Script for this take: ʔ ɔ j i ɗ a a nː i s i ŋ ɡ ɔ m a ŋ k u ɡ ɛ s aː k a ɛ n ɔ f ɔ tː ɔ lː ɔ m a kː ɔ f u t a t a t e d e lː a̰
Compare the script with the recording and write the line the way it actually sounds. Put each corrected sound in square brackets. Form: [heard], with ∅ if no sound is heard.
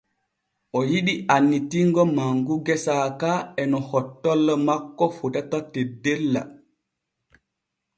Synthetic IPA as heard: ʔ ɔ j i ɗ [i] a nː i [t] i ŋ ɡ ɔ m a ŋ [ɡ] u ɡ ɛ s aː k a ɛ n ɔ [h] ɔ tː ɔ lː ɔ m a kː ɔ f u t a t a t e d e lː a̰